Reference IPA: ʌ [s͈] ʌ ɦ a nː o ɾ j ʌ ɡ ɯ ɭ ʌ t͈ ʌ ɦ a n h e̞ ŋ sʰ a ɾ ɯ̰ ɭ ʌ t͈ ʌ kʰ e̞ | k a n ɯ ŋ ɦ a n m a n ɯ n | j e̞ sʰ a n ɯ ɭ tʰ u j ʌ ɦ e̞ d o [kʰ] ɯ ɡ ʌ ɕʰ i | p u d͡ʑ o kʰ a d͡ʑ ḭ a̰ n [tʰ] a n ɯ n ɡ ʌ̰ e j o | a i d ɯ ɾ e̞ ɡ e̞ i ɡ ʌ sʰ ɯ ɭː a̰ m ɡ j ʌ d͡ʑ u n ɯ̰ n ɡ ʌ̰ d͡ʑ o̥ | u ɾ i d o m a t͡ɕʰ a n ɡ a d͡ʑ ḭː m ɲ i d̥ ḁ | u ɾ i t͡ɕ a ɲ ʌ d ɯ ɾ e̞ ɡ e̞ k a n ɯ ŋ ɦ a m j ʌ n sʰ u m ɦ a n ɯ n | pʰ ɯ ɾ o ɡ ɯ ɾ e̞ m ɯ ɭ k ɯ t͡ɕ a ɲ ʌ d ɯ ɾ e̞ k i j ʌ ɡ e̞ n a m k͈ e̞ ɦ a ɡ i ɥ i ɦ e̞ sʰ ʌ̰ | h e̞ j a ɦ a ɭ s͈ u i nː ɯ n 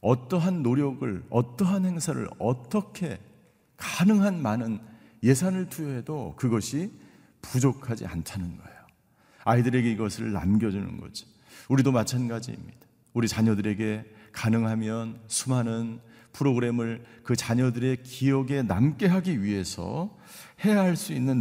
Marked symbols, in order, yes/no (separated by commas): no, no, yes